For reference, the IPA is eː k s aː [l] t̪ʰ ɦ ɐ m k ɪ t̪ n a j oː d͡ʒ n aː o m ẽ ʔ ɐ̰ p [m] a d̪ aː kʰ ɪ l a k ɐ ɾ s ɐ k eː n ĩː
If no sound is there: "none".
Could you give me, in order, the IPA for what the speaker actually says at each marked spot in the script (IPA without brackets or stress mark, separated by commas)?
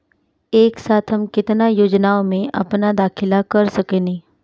none, n